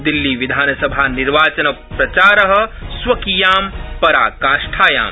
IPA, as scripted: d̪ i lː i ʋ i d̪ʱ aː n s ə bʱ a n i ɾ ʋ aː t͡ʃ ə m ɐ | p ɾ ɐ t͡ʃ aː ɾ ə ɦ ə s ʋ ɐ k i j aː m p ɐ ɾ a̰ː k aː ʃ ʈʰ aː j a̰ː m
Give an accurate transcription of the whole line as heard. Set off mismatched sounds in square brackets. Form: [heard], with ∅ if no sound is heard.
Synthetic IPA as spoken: d̪ i lː i ʋ i d̪ʱ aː n s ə bʱ a n i ɾ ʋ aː t͡ʃ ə [n] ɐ | p ɾ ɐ t͡ʃ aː ɾ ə ɦ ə s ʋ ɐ k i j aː m p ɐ ɾ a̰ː k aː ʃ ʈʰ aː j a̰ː m